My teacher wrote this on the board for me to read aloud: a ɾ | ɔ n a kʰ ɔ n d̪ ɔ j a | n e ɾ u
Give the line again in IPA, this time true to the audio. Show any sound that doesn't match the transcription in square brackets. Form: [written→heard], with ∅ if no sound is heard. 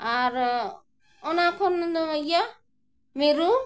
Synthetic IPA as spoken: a ɾ | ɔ n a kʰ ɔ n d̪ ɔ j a | [n→m] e ɾ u